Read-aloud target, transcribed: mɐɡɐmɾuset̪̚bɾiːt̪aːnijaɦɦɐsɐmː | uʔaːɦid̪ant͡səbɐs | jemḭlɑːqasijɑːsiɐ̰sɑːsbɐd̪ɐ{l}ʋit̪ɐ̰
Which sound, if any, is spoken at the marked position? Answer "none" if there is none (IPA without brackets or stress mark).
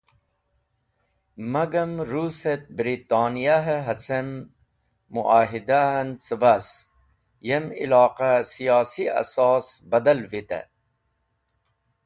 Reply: l